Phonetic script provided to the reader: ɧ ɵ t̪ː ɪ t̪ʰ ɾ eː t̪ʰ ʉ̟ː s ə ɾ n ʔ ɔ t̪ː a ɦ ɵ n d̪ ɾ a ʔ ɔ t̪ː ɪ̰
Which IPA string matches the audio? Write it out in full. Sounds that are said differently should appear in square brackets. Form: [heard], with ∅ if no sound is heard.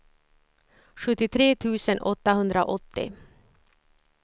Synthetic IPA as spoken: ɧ ɵ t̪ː ɪ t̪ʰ ɾ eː t̪ʰ ʉ̟ː s ə [∅] n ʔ ɔ t̪ː a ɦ ɵ n d̪ ɾ a ʔ ɔ t̪ː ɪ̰